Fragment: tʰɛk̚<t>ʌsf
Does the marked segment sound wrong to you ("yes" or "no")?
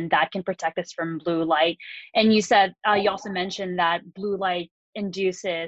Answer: no